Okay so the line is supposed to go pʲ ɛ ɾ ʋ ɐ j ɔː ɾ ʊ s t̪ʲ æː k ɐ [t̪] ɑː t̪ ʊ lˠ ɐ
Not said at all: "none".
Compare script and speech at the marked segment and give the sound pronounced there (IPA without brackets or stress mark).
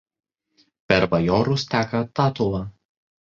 t̪